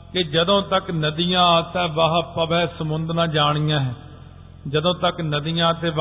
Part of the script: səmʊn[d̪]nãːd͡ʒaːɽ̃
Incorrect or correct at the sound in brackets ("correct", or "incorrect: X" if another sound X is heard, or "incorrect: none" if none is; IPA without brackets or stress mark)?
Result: correct